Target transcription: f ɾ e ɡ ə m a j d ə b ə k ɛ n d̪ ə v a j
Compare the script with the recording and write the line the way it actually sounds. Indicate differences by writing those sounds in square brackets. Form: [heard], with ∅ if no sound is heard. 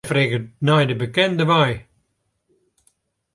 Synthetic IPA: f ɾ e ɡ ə [n] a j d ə b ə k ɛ n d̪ ə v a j